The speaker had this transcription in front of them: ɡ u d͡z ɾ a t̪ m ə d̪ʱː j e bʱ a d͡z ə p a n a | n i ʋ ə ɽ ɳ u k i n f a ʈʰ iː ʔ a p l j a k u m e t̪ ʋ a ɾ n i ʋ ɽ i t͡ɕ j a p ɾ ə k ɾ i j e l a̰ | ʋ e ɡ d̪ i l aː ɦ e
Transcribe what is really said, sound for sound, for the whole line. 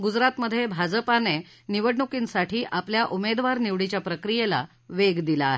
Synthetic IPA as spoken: ɡ u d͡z ɾ a t̪ m ə d̪ʱː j e bʱ a d͡z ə p a n e | n i ʋ ə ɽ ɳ u k i n s a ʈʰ iː ʔ a p l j a ʔ u m e d̪ ʋ a ɾ n i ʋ ɽ i t͡ɕ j a p ɾ ə k ɾ i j e l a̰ | ʋ e ɡ d̪ i l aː ɦ e